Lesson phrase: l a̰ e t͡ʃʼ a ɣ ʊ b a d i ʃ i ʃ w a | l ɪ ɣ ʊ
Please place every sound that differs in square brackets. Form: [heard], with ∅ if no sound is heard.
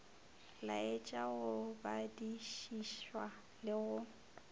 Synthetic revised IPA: l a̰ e t͡ʃʼ a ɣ ʊ b a d i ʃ i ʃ w a | l ɪ ɣ ʊ